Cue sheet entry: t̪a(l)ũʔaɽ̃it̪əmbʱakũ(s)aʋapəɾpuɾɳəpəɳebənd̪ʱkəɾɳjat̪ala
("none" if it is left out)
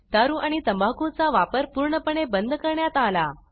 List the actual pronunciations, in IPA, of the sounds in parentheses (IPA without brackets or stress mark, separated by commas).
ɾ, t͡s